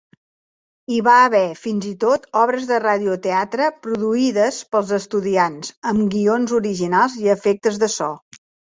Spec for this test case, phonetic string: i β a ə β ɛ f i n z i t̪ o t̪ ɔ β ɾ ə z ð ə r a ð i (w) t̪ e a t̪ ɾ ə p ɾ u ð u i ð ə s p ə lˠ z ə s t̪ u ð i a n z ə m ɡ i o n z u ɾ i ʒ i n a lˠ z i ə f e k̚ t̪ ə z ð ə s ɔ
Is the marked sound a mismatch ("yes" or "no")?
yes